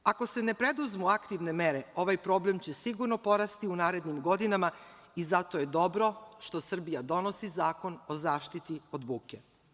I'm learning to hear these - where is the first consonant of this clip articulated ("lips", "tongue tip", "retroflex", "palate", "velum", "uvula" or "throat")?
velum